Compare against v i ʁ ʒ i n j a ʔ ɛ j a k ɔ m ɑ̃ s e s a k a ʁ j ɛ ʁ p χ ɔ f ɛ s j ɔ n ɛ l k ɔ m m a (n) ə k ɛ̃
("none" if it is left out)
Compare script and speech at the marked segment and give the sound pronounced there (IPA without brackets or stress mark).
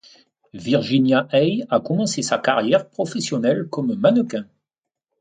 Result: n